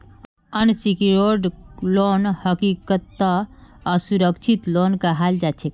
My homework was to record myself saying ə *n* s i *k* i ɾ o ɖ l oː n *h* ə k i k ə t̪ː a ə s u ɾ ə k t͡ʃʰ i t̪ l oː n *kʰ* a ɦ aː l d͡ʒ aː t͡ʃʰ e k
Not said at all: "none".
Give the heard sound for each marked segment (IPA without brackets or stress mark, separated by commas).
n, k, h, k